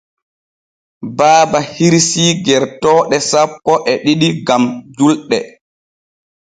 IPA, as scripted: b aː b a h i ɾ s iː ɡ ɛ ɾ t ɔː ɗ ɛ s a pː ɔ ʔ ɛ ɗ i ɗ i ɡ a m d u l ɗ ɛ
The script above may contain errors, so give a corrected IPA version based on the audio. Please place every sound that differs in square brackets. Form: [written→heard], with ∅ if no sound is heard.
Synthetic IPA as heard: b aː b a h i ɾ s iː ɡ ɛ ɾ t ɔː ɗ ɛ s a pː ɔ ʔ ɛ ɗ i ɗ i ɡ a m [d→d͡ʒ] u l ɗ ɛ

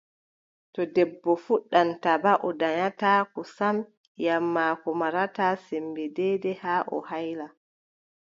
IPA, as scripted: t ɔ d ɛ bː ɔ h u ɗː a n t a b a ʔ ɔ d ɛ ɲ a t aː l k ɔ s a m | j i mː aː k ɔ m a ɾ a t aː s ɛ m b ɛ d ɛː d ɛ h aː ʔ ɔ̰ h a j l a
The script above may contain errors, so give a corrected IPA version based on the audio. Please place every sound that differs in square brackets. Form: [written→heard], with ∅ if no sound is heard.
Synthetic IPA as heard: t ɔ d ɛ bː ɔ [h→f] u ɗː a n t a b a ʔ ɔ d [ɛ→a] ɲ a t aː [l→∅] k ɔ s a m | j [i→a] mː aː k ɔ m a ɾ a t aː s ɛ m b ɛ d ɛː d ɛ h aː ʔ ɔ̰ h a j l a

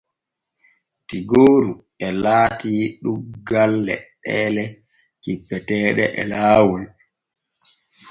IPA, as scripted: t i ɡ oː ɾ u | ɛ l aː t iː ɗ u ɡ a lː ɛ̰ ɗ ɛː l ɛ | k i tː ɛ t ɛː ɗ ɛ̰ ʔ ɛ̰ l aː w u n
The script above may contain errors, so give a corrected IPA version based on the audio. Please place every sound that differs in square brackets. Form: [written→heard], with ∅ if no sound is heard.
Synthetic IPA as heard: t i ɡ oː ɾ u | ɛ l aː t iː ɗ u ɡ a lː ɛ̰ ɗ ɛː l ɛ | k i [tː→pː] ɛ t ɛː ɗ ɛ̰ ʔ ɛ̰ l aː w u n

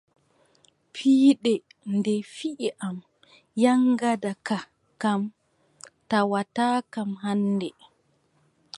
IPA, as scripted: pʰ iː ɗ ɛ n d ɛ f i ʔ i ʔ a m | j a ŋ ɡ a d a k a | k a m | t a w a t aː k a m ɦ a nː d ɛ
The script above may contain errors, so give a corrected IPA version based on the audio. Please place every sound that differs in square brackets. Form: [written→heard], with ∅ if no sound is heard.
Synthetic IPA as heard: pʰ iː ɗ ɛ n d ɛ f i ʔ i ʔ a m | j a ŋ ɡ a d a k a | k a m | t a w a t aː k a m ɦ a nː d ɛ

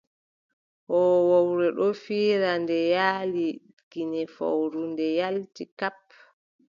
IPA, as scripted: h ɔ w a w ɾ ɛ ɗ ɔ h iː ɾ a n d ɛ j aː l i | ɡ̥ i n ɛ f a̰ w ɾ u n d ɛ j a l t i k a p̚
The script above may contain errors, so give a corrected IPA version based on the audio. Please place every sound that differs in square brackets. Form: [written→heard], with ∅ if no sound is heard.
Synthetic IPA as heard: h ɔ w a w ɾ ɛ ɗ ɔ [h→f] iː ɾ a n d ɛ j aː l i | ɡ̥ i n ɛ f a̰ w ɾ u n d ɛ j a l t i k a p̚

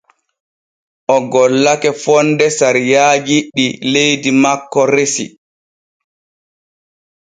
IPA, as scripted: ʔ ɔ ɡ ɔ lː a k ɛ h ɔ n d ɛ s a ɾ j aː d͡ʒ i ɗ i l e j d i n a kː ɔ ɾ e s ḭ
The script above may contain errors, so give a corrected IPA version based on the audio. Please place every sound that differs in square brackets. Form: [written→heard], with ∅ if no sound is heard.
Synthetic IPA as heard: ʔ ɔ ɡ ɔ lː a k ɛ [h→f] ɔ n d ɛ s a ɾ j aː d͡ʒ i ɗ i l e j d i [n→m] a kː ɔ ɾ e s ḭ

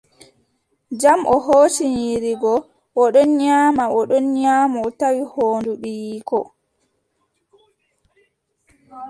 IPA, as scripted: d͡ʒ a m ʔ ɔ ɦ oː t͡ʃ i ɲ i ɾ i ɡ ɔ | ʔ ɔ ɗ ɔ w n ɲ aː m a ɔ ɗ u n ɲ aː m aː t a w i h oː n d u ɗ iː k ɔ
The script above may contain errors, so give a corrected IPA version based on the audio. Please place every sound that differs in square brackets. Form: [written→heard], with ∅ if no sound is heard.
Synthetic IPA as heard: d͡ʒ a m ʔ ɔ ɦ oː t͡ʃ i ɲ i ɾ i ɡ ɔ | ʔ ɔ ɗ ɔ [w→∅] n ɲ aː m a ɔ ɗ [u→ɔ] n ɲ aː m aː t a w i h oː n d u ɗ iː k ɔ

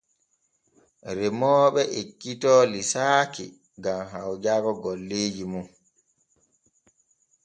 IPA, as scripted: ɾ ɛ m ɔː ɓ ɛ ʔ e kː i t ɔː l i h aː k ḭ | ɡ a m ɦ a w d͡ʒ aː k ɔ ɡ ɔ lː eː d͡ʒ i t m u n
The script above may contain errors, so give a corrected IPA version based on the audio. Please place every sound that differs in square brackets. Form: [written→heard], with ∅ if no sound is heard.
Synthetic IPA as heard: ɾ ɛ m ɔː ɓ ɛ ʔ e kː i t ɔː l i [h→s] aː k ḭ | ɡ a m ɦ a w d͡ʒ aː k ɔ ɡ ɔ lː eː d͡ʒ i [t→∅] m u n

